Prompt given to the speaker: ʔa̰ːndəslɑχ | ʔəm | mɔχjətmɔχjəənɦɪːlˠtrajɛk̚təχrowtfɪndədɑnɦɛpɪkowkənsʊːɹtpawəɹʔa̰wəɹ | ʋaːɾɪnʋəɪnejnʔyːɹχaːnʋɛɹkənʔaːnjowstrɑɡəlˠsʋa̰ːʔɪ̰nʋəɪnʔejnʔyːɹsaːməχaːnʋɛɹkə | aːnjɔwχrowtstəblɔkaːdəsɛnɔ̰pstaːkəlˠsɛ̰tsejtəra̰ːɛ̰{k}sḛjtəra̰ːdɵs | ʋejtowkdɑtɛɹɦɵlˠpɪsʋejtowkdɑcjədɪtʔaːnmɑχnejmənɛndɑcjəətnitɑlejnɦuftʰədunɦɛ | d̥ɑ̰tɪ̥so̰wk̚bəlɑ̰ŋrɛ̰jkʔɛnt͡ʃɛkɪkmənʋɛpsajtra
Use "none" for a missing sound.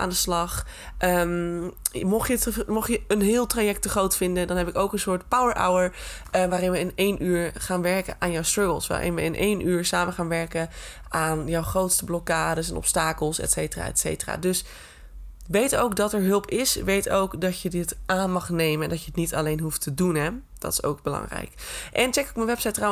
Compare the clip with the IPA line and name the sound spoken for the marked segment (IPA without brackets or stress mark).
t